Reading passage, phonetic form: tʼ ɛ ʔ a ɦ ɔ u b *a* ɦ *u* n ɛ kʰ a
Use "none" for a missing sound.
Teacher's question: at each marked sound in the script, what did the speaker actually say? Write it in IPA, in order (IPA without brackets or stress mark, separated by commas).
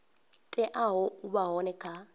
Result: a, ɔ